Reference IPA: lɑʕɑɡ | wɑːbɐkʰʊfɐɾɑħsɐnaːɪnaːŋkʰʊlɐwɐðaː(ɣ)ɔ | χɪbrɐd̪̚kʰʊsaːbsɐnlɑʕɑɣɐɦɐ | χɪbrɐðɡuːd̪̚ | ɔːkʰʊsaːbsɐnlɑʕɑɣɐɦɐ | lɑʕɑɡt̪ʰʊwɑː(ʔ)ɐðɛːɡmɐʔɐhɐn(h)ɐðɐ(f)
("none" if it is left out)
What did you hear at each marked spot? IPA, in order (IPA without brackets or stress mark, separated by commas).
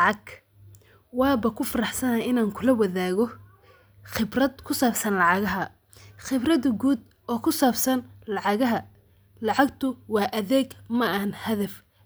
ɣ, ʔ, h, f